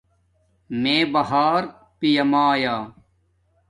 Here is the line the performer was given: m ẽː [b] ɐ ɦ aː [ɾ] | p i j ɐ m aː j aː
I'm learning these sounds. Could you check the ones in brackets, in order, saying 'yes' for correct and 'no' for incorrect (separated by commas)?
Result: yes, yes